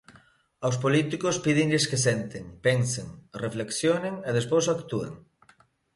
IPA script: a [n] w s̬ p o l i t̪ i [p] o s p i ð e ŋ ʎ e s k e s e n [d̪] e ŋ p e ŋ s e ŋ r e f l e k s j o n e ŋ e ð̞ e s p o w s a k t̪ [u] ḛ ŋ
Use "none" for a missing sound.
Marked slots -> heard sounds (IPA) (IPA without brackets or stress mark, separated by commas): none, k, t̪, u